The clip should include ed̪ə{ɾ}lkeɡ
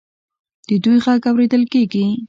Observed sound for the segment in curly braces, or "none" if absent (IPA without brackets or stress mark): none